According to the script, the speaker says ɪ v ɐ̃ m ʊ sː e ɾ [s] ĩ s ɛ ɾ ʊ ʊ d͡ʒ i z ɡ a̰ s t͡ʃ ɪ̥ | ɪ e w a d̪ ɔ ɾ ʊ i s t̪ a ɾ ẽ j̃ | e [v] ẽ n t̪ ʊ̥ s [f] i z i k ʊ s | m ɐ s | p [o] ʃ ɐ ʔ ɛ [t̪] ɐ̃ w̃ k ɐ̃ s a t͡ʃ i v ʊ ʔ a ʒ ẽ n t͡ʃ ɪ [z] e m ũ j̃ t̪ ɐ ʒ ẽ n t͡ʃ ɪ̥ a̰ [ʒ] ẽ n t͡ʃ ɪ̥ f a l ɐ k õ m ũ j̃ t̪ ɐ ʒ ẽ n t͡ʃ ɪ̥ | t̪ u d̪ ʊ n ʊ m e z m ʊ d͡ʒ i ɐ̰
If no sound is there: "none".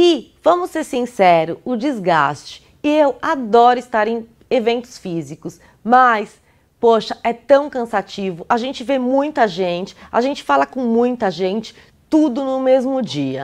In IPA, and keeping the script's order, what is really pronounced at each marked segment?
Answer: s, v, f, o, t̪, v, ʒ

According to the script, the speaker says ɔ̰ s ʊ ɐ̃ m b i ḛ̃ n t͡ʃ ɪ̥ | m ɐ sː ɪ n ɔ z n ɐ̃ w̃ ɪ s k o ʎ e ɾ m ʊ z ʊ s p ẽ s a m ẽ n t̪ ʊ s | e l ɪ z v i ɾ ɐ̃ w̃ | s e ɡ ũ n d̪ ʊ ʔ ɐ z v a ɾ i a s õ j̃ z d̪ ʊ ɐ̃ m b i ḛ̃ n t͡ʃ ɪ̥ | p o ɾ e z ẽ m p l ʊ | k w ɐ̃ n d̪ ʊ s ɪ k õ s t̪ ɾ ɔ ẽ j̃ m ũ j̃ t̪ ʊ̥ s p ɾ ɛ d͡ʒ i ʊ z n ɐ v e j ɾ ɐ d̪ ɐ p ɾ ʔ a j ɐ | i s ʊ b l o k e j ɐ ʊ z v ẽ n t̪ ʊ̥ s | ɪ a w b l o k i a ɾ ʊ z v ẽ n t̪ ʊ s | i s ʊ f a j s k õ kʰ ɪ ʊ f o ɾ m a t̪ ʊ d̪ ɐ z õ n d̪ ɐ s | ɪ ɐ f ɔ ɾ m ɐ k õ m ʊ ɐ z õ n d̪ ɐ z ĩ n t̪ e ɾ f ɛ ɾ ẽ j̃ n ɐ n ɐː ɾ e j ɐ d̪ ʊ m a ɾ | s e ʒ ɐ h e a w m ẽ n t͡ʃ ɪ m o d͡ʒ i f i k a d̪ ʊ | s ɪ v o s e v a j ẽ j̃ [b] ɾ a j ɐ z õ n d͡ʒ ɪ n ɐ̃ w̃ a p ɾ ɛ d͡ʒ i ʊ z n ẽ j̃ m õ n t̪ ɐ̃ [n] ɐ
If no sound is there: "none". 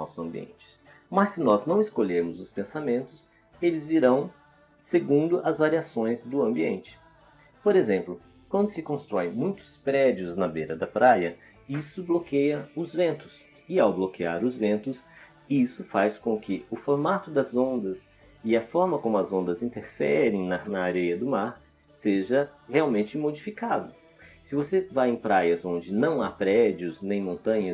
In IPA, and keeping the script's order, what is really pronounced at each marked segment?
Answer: p, ɲ

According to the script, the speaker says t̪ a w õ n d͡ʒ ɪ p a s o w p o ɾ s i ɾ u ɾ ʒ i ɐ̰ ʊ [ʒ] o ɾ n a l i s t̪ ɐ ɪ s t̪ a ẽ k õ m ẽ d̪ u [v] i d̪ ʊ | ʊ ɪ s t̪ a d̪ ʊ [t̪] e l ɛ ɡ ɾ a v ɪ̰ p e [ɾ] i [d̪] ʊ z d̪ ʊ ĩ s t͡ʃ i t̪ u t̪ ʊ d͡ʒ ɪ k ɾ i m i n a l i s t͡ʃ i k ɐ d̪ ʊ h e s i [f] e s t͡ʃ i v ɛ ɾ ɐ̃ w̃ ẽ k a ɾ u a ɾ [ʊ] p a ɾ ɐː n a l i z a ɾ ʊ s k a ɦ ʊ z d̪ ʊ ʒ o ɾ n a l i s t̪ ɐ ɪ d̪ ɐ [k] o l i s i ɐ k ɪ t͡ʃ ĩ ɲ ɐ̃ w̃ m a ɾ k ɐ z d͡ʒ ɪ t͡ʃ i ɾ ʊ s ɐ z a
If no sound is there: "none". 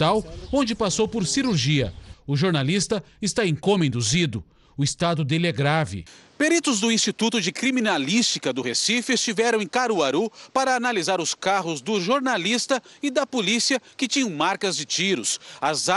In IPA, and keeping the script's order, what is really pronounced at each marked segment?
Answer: ʒ, z, d̪, ɾ, t̪, f, u, p

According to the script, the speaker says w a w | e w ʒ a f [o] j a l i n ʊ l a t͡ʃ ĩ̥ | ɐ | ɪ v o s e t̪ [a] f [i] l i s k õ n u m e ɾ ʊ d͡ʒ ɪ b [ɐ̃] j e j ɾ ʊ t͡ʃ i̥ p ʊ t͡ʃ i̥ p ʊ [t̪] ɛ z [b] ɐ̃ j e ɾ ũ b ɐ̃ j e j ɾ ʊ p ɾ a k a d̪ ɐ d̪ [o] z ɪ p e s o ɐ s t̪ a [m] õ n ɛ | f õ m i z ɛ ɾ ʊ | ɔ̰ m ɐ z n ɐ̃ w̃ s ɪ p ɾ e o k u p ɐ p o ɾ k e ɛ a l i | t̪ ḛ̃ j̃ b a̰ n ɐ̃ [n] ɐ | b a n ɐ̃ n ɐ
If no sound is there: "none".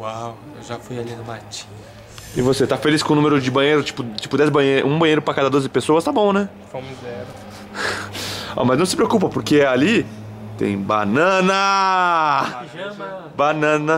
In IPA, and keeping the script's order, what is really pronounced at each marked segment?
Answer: u, a, e, ɐ̃, d̪, b, o, b, n

